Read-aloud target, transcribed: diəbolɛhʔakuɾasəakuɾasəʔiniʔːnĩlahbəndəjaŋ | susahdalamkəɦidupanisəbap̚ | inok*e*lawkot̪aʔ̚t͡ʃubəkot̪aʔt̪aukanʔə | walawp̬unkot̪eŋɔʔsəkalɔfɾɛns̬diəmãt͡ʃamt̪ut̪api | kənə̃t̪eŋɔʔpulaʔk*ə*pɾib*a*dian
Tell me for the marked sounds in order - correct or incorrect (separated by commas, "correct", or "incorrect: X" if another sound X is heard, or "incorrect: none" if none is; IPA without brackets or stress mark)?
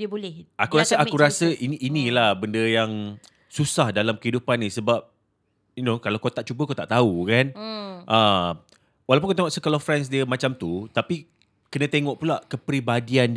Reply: incorrect: a, correct, correct